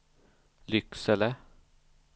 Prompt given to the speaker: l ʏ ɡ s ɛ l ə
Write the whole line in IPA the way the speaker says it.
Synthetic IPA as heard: l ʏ k s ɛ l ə